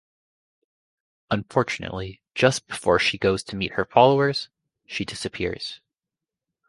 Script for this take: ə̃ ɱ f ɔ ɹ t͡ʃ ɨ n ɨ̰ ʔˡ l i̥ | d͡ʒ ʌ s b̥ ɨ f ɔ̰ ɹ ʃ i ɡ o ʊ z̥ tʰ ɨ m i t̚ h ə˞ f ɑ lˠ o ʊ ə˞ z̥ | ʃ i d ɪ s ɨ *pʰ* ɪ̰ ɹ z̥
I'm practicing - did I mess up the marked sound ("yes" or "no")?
no